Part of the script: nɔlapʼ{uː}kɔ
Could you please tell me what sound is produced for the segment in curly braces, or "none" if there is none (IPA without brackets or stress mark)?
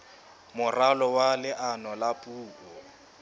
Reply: uː